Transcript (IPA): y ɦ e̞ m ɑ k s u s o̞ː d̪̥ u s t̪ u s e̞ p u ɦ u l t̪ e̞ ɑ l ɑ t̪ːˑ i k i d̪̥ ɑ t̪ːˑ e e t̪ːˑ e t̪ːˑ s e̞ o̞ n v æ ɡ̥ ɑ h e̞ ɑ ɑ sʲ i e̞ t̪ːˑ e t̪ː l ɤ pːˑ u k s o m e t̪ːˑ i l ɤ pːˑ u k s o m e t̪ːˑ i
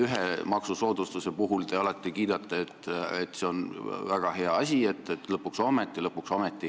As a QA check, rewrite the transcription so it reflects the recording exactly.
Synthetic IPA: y ɦ e̞ m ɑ k s u s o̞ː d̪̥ u s t̪ u s e̞ p u ɦ u l t̪ e̞ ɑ l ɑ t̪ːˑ i k iː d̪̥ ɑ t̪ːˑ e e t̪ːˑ e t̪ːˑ s e̞ o̞ n v æ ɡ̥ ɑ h e̞ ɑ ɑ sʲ i e̞ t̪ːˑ e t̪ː l ɤ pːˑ u k s o m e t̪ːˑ i l ɤ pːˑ u k s o m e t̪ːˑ i